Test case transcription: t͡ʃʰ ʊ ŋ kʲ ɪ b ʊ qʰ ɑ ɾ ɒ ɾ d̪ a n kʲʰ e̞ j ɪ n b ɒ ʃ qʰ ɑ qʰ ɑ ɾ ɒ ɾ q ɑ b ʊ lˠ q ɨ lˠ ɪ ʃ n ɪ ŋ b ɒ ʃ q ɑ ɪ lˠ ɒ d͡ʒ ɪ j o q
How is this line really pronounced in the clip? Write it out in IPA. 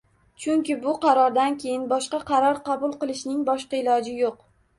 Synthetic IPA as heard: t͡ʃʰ ʊ ŋ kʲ ɪ b ʊ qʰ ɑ ɾ ɒ ɾ d̪ a n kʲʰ e̞ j ɪ n b ɒ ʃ q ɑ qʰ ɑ ɾ ɒ ɾ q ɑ b ʊ lˠ q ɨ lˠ ɪ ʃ n ɪ ŋ b ɒ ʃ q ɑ ɪ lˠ ɒ d͡ʒ ɪ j o q